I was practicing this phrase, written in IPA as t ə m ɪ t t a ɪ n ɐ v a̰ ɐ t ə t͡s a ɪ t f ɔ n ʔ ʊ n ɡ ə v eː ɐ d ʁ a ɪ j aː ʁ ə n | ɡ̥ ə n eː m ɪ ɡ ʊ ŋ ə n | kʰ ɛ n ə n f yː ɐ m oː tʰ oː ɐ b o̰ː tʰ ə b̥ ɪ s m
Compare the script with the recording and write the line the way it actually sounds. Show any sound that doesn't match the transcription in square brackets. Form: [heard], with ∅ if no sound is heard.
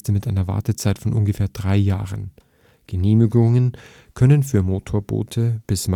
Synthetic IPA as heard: t ə m ɪ t [ʔ] a ɪ n ɐ v a̰ ɐ t ə t͡s a ɪ t f ɔ n ʔ ʊ n ɡ ə [f] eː ɐ d ʁ a ɪ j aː ʁ ə n | ɡ̥ ə n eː m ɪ ɡ ʊ ŋ ə n | kʰ [œ] n ə n f yː ɐ m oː tʰ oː ɐ b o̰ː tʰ ə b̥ ɪ s m